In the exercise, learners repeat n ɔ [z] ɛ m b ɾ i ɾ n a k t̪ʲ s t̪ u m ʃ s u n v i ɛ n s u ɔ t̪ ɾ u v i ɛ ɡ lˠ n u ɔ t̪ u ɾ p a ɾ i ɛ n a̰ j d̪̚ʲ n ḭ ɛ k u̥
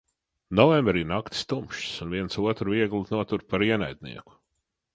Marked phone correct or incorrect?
incorrect